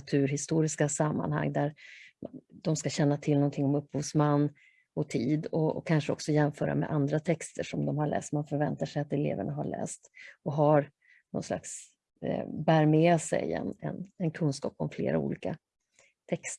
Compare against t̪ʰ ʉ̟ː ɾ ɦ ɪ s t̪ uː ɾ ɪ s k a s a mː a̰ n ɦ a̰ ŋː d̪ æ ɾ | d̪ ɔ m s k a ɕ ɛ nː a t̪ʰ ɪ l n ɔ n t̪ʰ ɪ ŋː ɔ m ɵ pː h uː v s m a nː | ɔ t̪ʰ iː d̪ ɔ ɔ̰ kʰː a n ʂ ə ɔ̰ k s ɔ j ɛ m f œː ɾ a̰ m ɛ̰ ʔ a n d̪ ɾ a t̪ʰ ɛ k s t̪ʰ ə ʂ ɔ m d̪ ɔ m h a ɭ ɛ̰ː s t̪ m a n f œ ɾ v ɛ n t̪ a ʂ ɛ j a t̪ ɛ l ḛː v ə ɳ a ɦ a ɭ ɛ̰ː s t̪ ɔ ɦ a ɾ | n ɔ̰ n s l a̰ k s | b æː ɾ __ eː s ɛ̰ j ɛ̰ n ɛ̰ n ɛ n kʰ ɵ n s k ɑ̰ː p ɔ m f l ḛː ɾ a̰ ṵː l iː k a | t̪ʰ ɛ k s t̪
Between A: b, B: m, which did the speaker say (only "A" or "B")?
B